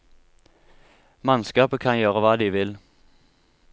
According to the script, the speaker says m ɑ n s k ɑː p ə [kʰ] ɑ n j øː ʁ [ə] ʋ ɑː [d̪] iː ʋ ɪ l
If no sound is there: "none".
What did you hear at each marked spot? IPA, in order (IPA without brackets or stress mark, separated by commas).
kʰ, ə, d̪